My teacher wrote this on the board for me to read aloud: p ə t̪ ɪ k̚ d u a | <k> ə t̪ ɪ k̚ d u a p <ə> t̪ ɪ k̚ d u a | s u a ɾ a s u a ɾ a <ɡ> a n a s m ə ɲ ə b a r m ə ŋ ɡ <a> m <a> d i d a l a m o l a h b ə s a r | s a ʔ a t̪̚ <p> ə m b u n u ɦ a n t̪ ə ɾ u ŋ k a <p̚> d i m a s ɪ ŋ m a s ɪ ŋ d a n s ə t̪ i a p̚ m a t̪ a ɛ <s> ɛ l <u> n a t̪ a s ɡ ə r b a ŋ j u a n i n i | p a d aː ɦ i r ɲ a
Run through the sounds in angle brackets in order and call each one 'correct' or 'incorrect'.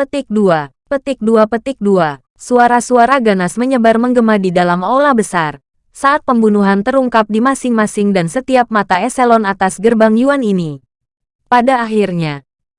incorrect: p, correct, correct, incorrect: ə, correct, correct, correct, correct, incorrect: ɔ

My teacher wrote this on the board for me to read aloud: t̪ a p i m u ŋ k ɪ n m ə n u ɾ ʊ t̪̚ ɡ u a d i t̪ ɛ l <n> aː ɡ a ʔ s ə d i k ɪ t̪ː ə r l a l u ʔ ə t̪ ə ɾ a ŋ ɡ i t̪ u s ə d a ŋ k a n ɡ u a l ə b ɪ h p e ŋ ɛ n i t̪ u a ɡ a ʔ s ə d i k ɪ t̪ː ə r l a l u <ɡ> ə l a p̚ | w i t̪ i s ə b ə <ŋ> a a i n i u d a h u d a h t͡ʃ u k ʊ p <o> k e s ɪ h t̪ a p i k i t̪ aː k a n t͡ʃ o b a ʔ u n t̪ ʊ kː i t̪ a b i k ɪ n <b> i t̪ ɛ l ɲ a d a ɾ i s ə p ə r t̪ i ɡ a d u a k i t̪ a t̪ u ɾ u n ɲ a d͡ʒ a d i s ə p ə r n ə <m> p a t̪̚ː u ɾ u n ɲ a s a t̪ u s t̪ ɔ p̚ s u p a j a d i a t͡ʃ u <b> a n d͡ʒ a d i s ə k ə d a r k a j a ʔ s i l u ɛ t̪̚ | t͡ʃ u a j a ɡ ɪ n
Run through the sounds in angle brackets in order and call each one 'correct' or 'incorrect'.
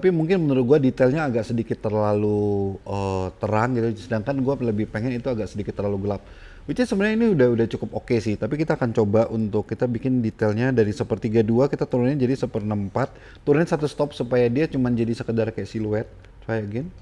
incorrect: ɲ, correct, incorrect: n, correct, incorrect: d, correct, incorrect: m

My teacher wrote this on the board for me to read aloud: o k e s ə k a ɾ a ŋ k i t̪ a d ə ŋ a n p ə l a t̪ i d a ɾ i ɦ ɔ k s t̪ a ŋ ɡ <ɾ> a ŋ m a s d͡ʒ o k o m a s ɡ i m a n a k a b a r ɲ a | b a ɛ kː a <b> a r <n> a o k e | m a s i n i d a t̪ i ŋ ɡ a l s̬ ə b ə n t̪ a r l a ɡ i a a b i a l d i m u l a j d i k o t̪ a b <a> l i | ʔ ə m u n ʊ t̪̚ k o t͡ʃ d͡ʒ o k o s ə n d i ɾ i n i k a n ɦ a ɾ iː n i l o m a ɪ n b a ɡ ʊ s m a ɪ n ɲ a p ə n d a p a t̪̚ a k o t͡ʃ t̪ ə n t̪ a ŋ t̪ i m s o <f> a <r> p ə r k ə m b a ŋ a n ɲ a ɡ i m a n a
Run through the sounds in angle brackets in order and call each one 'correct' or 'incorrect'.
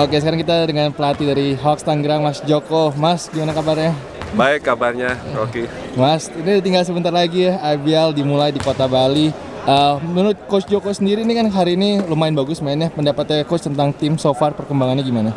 correct, correct, incorrect: ɲ, correct, correct, correct

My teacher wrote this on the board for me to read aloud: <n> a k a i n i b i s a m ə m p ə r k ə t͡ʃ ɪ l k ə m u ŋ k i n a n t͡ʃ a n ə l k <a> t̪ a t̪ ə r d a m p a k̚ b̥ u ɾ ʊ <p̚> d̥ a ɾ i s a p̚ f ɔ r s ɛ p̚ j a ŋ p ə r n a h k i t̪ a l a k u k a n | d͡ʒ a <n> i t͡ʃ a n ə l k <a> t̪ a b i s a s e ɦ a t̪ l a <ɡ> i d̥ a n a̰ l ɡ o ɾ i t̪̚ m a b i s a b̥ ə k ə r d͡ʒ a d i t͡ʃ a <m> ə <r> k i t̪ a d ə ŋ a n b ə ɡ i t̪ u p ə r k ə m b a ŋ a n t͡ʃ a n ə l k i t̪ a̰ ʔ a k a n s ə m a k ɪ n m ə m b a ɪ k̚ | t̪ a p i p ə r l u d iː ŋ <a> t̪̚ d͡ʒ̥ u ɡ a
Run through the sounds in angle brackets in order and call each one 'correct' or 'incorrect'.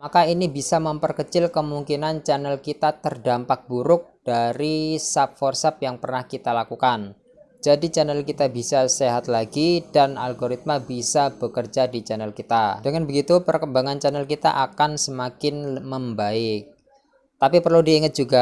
incorrect: m, incorrect: i, incorrect: k̚, incorrect: d, incorrect: i, correct, incorrect: n, incorrect: l, incorrect: ə

